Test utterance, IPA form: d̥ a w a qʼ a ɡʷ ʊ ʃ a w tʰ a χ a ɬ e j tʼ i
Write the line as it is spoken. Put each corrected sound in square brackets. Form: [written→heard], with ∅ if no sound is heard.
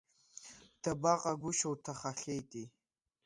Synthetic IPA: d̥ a [w→b] a qʼ a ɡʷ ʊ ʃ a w tʰ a χ a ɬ e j tʼ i